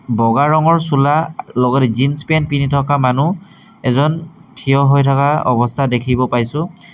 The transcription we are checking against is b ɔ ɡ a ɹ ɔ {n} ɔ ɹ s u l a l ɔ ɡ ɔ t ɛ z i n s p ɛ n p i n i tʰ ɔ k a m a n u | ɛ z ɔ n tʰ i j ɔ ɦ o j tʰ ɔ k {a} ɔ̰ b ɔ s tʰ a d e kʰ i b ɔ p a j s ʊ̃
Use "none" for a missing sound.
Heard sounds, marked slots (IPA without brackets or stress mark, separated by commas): ŋ, a